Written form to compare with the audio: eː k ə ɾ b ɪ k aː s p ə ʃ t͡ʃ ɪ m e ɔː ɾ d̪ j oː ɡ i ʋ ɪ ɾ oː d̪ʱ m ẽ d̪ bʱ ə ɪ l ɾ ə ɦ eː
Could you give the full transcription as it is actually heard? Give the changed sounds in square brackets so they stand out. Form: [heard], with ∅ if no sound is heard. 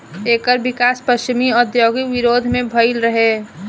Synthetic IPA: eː k ə ɾ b ɪ k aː s p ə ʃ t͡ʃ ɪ m [i] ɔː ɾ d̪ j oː ɡ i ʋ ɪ ɾ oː d̪ʱ m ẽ [∅] bʱ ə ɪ l ɾ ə ɦ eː